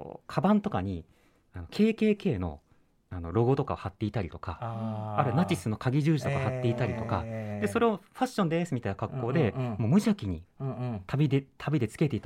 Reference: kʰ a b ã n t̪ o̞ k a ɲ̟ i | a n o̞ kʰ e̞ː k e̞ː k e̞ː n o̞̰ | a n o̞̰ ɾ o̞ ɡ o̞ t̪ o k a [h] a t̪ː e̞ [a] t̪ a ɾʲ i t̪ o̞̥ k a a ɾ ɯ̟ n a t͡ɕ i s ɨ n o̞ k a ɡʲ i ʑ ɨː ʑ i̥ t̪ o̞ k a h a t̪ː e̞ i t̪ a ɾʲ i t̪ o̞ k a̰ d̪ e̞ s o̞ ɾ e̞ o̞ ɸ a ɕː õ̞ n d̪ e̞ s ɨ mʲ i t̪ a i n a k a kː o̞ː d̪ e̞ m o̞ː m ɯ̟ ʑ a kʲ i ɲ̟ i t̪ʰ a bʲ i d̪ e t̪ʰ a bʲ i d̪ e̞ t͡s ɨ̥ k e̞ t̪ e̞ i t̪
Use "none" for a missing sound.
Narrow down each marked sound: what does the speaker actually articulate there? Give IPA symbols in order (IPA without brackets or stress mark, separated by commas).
h, i